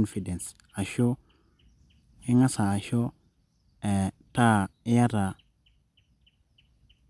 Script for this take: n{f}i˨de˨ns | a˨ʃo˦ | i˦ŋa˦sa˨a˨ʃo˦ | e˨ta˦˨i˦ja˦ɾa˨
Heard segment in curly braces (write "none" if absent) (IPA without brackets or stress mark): f